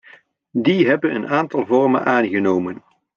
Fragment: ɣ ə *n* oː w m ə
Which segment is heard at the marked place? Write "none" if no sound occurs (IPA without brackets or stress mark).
n